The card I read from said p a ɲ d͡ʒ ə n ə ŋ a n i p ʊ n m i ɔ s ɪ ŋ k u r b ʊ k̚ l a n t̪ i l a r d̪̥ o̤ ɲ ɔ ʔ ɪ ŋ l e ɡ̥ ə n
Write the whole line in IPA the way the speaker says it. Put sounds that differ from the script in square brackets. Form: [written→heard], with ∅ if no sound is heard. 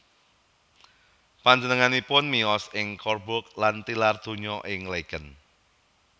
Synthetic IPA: p a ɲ d͡ʒ ə n ə ŋ a n i p ʊ n m i ɔ s ɪ ŋ k [u→ɔ] r b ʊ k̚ l a n t̪ i l a r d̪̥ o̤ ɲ ɔ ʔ ɪ ŋ l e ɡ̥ ə n